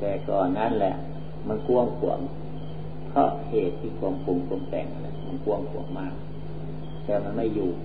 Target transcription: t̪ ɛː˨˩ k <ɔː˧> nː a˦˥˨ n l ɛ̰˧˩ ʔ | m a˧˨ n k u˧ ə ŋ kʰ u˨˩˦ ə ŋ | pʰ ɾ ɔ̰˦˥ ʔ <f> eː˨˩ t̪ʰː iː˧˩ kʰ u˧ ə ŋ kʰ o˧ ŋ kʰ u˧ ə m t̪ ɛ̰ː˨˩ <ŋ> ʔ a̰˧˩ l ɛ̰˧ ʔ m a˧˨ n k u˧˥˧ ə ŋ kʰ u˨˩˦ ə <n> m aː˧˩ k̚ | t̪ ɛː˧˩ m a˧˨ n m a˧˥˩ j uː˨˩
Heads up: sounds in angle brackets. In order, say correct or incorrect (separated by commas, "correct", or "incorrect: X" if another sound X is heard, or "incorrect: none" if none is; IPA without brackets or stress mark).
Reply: incorrect: ɔː˨˩, incorrect: h, correct, incorrect: ŋ